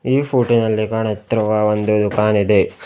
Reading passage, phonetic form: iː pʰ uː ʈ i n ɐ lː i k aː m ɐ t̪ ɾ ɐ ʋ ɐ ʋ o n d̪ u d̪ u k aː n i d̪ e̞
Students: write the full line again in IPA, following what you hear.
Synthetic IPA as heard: iː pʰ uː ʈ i n ɐ lː i k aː ɳ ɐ t̪ ɾ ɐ ʋ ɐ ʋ o n d̪ u d̪ u k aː n i d̪ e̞